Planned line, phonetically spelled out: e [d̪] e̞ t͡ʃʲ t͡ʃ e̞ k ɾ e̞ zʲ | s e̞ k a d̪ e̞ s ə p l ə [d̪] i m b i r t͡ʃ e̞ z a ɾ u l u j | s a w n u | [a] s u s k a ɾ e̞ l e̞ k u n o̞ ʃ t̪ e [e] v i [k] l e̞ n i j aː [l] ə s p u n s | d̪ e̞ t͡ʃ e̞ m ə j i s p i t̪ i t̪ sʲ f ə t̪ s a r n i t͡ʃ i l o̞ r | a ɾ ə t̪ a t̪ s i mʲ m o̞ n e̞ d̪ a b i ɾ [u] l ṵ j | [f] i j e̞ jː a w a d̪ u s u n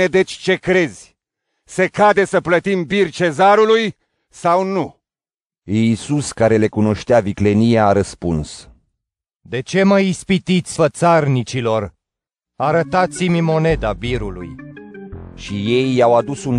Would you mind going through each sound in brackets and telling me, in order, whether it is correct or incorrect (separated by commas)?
correct, incorrect, incorrect, incorrect, correct, incorrect, correct, incorrect